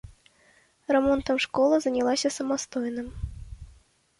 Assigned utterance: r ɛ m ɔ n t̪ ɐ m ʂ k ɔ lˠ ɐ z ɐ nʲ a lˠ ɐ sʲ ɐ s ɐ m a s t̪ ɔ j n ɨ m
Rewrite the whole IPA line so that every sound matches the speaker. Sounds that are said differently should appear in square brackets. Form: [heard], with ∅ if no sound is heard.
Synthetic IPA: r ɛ m ɔ n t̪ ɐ m ʂ k ɔ lˠ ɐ z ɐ nʲ a lˠ [a] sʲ ɐ s ɐ m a s t̪ ɔ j n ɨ m